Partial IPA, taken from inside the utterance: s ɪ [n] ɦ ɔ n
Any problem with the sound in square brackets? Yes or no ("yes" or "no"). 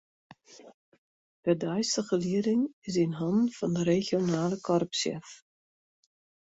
no